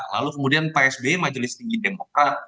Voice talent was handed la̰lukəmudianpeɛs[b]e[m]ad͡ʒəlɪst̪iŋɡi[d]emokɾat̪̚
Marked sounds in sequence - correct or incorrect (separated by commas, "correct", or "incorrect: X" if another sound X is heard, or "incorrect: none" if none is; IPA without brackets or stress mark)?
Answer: correct, correct, correct